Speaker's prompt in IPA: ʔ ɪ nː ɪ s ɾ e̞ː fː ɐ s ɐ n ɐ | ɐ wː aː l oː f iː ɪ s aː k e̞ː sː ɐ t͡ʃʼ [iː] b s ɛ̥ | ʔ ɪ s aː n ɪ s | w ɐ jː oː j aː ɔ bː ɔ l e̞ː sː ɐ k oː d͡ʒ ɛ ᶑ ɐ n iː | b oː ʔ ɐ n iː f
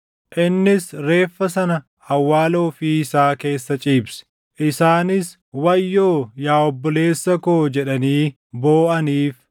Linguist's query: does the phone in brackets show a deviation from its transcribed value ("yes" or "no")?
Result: no